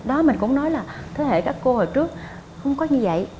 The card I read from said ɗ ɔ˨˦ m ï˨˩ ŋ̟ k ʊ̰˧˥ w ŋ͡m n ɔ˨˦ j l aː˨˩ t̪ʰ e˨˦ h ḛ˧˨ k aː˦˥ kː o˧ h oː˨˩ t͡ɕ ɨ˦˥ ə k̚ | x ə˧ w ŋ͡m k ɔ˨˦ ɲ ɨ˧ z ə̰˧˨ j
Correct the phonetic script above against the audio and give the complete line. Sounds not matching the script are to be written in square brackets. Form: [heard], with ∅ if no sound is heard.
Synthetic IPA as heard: ɗ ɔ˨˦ m ï˨˩ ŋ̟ k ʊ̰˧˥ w ŋ͡m n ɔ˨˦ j l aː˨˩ t̪ʰ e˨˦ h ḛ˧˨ k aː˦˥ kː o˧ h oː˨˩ t͡ɕ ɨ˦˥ ə k̚ | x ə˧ w ŋ͡m k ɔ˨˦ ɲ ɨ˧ [v] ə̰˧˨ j